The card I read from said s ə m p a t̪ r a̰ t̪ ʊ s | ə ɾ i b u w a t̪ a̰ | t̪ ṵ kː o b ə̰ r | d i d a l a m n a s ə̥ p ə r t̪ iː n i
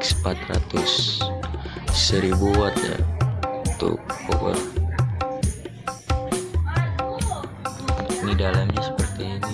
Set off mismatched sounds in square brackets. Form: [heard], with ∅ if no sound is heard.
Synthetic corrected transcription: s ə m p a t̪ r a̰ t̪ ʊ s | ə ɾ i b u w a t̪ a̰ | t̪ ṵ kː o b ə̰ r | [n] i d a l a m [ɲ] a s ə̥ p ə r t̪ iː n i